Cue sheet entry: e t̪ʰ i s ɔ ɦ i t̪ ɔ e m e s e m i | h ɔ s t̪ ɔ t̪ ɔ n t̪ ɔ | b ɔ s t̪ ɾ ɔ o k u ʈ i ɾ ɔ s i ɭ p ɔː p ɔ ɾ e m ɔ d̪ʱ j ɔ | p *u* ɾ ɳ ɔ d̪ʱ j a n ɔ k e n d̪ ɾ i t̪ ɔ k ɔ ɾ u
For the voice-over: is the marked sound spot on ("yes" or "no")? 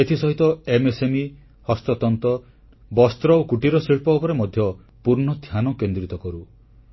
yes